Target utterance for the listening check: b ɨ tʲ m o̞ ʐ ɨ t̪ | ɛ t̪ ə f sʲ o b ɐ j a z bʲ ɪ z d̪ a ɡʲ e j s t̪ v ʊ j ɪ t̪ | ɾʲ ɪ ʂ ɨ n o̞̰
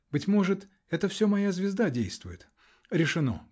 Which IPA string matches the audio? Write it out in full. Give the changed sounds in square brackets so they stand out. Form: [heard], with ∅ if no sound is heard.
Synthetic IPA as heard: b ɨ tʲ m o̞ ʐ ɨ t̪ | ɛ t̪ ə f sʲ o [m] ɐ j a z [vʲ] ɪ z d̪ a [dʲ] e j s t̪ v ʊ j ɪ t̪ | ɾʲ ɪ ʂ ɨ n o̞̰